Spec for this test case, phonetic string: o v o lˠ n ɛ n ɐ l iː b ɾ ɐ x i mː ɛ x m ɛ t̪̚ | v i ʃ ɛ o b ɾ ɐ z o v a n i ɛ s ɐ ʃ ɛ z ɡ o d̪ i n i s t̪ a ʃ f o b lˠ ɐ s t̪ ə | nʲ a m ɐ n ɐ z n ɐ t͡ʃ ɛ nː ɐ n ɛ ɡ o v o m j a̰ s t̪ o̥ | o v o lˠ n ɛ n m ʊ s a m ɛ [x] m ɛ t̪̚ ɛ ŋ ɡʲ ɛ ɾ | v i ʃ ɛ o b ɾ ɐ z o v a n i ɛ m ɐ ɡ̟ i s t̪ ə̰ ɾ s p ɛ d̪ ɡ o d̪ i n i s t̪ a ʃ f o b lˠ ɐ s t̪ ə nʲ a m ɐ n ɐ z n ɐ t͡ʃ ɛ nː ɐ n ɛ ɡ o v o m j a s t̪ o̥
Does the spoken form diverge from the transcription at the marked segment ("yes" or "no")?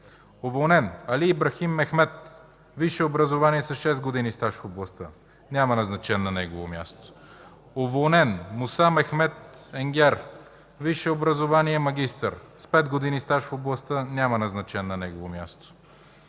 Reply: no